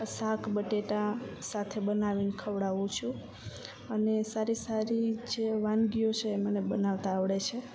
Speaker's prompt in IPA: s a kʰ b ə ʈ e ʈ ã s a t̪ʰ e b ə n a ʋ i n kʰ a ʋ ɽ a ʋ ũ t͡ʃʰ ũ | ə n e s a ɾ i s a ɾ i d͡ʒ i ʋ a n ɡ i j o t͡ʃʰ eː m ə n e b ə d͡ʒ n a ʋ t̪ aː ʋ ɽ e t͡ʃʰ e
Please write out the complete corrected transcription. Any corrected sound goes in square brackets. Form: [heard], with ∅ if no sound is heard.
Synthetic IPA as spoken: s a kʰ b ə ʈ e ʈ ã s a t̪ʰ e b ə n a ʋ i n kʰ [ə] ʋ ɽ a ʋ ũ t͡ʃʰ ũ | ə n e s a ɾ i s a ɾ i d͡ʒ [e] ʋ a n ɡ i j o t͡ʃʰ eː m ə n e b ə [∅] n a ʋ t̪ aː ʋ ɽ e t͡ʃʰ e